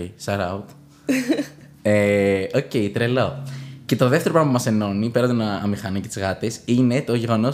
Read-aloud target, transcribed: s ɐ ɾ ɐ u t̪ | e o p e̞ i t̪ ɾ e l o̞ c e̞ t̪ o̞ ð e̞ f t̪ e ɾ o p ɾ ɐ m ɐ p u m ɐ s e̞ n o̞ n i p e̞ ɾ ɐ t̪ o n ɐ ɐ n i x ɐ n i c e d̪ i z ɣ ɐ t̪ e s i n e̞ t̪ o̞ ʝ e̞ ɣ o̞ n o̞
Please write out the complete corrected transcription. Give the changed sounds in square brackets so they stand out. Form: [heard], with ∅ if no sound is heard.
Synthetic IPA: s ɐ ɾ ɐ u t̪ | e o [c] e̞ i t̪ ɾ e l o̞ c e̞ t̪ o̞ ð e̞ f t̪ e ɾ o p ɾ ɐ m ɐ p u m ɐ s e̞ n o̞ n i p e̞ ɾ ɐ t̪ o n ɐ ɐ [m] i x ɐ n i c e [t̪] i z ɣ ɐ t̪ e s i n e̞ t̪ o̞ ʝ e̞ ɣ o̞ n o̞